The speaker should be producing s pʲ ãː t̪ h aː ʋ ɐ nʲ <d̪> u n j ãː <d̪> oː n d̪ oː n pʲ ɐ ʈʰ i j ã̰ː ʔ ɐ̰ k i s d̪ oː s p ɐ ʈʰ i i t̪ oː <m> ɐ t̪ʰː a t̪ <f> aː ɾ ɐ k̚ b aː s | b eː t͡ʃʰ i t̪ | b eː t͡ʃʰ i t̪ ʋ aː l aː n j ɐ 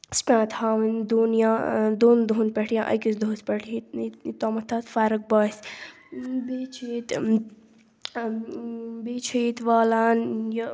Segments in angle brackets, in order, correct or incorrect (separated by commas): correct, correct, correct, correct